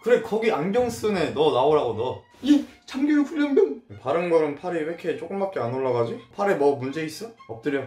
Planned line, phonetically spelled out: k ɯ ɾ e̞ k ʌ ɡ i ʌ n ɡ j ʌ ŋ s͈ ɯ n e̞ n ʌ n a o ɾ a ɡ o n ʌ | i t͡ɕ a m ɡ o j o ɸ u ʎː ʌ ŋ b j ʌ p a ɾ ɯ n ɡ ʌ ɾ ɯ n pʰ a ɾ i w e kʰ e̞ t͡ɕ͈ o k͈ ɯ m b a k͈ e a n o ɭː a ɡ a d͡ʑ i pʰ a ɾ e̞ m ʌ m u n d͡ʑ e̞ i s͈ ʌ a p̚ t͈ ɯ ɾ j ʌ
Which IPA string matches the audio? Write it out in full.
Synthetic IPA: k ɯ ɾ e̞ k ʌ ɡ i a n ɡ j ʌ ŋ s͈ ɯ n e̞ n ʌ n a o ɾ a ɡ o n ʌ | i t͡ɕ a m ɡ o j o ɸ u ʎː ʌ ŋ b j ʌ p a ɾ ɯ n ɡ ʌ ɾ ɯ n pʰ a ɾ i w e kʰ e̞ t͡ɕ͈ o k͈ ɯ m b a k͈ e a n o ɭː a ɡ a d͡ʑ i pʰ a ɾ e̞ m ʌ m u n d͡ʑ e̞ i s͈ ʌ ʌ p̚ t͈ ɯ ɾ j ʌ